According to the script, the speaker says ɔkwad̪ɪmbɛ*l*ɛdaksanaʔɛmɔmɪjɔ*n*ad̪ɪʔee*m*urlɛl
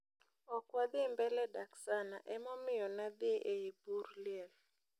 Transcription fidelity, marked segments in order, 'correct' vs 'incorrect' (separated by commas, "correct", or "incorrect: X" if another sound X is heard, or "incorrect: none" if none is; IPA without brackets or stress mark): correct, correct, incorrect: b